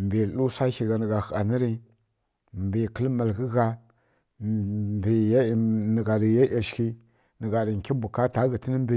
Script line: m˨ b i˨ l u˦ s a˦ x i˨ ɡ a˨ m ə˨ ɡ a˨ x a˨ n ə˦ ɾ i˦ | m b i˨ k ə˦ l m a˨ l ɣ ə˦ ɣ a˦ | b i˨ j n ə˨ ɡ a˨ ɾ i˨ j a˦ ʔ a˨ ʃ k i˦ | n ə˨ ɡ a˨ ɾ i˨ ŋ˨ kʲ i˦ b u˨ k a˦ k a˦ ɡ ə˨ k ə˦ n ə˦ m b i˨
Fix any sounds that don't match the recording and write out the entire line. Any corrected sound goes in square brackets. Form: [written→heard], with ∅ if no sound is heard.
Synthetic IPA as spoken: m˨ b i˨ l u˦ s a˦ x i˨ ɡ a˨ [m→n] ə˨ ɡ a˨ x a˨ n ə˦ ɾ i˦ | m b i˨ k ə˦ l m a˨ l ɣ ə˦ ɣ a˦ | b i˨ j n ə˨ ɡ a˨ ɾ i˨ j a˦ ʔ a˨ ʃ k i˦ | n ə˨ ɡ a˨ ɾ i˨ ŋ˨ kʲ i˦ b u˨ k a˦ [k→t] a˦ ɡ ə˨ [k→t] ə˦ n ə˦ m b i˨